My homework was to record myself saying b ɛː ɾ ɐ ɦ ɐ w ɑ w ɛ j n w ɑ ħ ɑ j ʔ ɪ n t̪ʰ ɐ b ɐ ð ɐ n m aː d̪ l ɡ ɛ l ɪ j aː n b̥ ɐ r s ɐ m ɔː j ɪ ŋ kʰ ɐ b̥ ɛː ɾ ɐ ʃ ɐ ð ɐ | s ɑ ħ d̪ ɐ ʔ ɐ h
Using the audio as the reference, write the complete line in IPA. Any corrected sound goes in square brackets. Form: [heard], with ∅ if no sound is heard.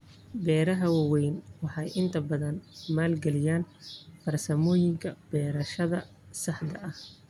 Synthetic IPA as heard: b ɛː ɾ ɐ ɦ ɐ w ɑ w ɛ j n w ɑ ħ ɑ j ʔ ɪ n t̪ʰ ɐ b ɐ ð ɐ n m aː [∅] l ɡ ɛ l ɪ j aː n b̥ ɐ r s ɐ m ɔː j ɪ ŋ kʰ ɐ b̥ ɛː ɾ ɐ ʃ ɐ ð ɐ | s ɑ ħ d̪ ɐ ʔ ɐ h